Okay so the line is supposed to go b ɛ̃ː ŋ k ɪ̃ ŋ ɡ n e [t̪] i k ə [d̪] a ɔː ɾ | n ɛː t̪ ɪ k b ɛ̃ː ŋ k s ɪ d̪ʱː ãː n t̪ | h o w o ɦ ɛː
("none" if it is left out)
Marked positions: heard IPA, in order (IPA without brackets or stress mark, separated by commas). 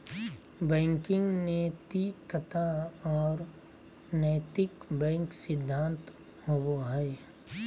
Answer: t̪, t̪